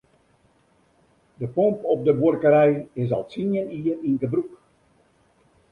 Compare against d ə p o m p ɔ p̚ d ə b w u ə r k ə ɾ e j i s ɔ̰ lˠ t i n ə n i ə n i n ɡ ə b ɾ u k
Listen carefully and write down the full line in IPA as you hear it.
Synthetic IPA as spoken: d ə p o m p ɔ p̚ d ə b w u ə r k ə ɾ ɛ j ɪ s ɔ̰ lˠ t i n ə n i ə n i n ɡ ə b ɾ u k